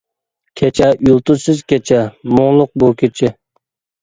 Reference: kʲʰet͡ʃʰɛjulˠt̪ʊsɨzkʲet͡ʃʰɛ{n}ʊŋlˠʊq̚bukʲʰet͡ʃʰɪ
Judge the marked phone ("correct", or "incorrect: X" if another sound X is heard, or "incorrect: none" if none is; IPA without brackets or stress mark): incorrect: m